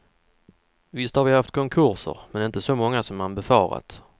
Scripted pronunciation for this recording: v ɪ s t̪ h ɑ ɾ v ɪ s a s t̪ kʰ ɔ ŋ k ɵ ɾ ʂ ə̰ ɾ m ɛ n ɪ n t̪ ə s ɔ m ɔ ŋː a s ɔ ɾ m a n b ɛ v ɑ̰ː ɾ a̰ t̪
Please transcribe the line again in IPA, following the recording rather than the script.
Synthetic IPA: v ɪ s t̪ h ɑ ɾ v ɪ h a f t̪ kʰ ɔ ŋ kʰ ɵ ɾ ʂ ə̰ ɾ m ɛ n ɪ n t̪ ə s ɔ m ɔ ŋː a s ɔ m a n b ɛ f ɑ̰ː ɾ a̰ t̪